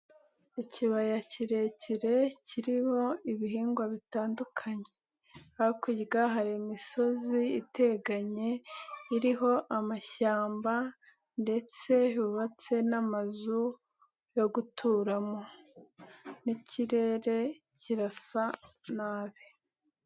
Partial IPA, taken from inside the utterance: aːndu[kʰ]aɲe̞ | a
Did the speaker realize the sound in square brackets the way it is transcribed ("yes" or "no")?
yes